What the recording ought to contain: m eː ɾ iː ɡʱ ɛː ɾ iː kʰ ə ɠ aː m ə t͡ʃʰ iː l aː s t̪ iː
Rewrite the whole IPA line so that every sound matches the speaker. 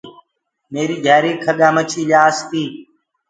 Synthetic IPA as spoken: m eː ɾ iː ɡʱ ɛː ɾ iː kʰ ə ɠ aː m ə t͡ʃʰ iː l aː s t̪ iː